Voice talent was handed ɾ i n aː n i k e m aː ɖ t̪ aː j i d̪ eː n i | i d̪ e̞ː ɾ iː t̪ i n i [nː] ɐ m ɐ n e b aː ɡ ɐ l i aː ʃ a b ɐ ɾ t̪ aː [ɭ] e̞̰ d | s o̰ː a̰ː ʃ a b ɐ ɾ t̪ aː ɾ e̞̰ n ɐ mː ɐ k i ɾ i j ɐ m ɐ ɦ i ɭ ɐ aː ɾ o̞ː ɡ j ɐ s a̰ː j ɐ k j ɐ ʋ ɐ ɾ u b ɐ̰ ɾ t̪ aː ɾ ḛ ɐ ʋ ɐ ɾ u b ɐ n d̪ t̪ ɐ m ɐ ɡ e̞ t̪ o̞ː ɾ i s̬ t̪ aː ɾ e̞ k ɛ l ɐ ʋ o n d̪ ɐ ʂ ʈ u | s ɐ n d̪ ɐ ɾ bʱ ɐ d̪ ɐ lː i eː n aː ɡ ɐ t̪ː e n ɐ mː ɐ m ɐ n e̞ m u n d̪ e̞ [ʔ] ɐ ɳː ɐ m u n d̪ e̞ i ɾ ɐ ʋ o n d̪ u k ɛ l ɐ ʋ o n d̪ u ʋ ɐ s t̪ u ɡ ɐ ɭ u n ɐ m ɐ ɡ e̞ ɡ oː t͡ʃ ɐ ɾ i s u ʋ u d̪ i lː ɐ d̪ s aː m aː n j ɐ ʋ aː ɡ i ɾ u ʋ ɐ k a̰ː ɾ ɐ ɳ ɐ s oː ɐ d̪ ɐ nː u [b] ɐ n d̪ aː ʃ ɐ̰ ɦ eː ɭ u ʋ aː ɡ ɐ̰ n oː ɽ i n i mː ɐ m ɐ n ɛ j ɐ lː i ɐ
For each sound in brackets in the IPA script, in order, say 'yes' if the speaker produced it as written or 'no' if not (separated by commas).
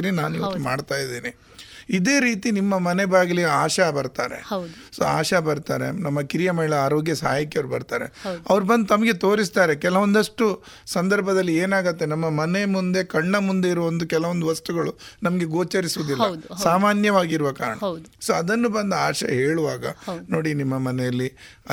no, no, no, yes